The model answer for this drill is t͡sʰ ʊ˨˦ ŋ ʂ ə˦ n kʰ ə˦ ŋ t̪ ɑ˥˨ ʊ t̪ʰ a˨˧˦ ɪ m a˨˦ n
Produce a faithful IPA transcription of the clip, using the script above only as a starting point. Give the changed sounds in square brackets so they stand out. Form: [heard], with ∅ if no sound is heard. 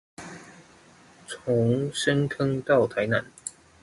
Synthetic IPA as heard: t͡sʰ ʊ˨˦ ŋ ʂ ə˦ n kʰ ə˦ ŋ t̪ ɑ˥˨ ʊ t̪ʰ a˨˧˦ ɪ [n] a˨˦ n

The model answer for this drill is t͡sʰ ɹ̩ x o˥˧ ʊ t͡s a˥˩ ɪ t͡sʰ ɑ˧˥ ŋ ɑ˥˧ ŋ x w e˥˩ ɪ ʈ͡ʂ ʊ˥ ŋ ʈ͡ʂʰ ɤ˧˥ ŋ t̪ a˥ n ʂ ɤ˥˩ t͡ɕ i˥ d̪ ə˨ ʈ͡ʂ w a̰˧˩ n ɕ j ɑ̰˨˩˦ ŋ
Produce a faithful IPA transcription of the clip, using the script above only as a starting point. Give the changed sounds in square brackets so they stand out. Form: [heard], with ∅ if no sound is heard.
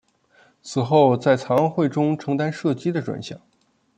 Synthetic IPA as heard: t͡sʰ ɹ̩ x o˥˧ ʊ t͡s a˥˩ ɪ t͡sʰ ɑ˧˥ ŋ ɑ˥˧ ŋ x w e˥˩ ɪ ʈ͡ʂ ʊ˥ ŋ ʈ͡ʂʰ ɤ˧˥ ŋ t̪ a˥ n ʂ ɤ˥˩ t͡ɕ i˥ d̪ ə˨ ʈ͡ʂ w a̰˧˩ n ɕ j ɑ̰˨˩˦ ŋ

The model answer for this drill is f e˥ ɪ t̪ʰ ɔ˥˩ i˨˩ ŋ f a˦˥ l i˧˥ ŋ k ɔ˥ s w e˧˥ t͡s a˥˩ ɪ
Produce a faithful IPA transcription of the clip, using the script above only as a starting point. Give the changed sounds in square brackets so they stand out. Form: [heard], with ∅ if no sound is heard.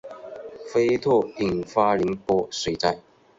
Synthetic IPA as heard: f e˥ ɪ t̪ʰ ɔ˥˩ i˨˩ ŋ f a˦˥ l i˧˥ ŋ [p] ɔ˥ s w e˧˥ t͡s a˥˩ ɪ

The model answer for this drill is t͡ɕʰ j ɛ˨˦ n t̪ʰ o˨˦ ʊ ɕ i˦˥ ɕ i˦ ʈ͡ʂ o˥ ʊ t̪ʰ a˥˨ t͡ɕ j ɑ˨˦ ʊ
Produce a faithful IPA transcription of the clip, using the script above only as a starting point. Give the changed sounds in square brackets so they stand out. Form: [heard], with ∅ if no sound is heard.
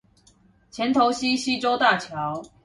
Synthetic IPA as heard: t͡ɕʰ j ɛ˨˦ n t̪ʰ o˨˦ ʊ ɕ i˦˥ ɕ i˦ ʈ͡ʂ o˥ ʊ [t̪] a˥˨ [t͡ɕʰ] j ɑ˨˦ ʊ

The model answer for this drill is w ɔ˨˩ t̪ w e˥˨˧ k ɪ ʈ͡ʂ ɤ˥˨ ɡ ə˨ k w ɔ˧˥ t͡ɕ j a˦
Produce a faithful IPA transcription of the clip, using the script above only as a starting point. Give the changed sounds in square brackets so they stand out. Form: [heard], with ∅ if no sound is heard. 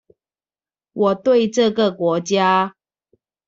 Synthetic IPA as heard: w ɔ˨˩ t̪ w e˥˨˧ [∅] ɪ ʈ͡ʂ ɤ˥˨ ɡ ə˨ k w ɔ˧˥ t͡ɕ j a˦

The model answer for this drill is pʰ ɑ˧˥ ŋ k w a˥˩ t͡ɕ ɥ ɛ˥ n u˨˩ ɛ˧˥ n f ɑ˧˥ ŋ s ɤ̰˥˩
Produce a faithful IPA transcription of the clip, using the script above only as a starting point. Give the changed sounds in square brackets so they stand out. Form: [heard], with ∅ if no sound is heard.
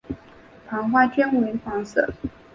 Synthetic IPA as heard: pʰ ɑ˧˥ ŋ [x] w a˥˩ t͡ɕ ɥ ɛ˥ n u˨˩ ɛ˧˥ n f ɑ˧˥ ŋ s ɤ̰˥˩

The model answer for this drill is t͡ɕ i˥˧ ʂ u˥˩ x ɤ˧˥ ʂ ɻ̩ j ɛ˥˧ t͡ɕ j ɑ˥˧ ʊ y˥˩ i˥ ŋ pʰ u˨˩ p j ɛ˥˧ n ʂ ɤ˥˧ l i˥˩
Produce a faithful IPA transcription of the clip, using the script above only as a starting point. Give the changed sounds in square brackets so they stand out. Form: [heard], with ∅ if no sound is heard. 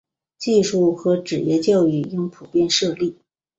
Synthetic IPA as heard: t͡ɕ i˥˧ ʂ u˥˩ x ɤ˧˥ [ʈ͡ʂ] ɻ̩ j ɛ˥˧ t͡ɕ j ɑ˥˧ ʊ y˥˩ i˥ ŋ pʰ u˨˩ p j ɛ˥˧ n ʂ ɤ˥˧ l i˥˩

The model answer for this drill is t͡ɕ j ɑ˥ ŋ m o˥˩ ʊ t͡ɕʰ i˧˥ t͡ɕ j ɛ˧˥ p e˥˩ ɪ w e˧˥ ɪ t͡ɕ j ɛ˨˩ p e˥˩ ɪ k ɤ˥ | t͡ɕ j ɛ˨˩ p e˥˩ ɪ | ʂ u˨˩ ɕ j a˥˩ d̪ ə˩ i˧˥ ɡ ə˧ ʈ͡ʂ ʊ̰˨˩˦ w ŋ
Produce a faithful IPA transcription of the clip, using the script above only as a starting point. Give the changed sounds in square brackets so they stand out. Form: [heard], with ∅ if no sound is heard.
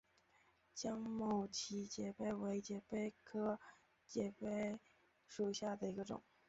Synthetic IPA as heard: t͡ɕ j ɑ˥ ŋ m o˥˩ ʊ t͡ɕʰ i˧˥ t͡ɕ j [ɛ˨˩] p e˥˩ ɪ w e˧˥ ɪ t͡ɕ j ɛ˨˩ p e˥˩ ɪ [kʰ] ɤ˥ | t͡ɕ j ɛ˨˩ p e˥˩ ɪ | ʂ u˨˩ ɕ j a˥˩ d̪ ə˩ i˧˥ ɡ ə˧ ʈ͡ʂ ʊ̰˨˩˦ [∅] ŋ

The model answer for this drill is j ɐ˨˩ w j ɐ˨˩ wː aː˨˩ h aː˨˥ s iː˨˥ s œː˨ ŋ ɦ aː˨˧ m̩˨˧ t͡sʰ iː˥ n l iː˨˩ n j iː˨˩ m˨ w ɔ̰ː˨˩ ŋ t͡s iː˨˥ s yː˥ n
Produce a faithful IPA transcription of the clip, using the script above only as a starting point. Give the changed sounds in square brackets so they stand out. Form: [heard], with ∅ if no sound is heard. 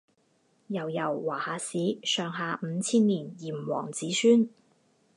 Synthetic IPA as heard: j ɐ˨˩ w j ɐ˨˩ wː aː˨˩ h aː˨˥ s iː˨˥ s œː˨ ŋ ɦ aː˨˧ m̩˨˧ t͡sʰ iː˥ n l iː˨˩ n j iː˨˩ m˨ w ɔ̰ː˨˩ ŋ t͡s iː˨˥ s yː˥ n

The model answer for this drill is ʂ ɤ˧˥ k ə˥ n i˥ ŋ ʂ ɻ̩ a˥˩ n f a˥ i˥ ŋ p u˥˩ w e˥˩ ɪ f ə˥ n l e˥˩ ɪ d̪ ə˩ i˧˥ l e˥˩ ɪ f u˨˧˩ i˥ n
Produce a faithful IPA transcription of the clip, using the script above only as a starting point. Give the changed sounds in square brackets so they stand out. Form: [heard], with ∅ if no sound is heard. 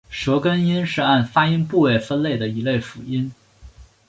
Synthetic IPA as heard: ʂ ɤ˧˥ k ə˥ n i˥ [n] ʂ ɻ̩ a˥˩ n f a˥ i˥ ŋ p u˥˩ w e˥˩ ɪ f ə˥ n l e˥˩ ɪ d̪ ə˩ i˧˥ l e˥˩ ɪ f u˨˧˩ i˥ n

